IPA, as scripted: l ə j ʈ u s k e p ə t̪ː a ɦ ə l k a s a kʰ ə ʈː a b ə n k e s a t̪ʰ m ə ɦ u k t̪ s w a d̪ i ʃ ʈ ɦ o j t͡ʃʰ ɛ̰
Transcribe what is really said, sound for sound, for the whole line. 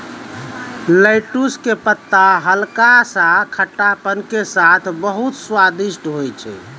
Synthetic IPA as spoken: l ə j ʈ u s k e p ə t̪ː a ɦ ə l k a s a kʰ ə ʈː a p ə n k e s a t̪ʰ b ə ɦ u t̪ s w a d̪ i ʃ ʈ ɦ o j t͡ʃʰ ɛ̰